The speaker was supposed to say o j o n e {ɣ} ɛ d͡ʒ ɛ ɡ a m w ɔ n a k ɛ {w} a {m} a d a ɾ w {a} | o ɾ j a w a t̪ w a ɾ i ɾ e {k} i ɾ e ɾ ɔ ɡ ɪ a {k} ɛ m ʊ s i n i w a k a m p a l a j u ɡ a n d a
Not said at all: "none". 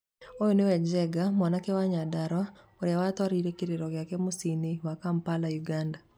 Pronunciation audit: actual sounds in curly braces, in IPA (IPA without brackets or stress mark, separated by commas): w, w, ɲ, a, k, k